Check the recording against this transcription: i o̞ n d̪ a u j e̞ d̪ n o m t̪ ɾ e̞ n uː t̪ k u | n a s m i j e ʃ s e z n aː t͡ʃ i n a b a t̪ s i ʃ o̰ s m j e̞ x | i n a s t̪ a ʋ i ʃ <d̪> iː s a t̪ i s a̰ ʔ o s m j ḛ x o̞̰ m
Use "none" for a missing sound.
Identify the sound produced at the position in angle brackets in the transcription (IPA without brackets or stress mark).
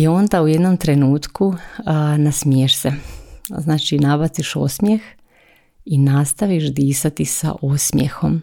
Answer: d̪